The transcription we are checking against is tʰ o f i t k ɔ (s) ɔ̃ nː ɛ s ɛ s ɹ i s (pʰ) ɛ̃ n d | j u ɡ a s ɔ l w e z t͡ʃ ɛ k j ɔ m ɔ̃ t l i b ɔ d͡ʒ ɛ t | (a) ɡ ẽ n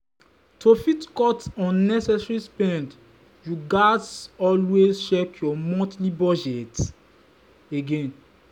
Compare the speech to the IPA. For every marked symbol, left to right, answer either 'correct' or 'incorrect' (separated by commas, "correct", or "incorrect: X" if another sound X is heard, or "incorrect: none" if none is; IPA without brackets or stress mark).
incorrect: t, incorrect: p, incorrect: e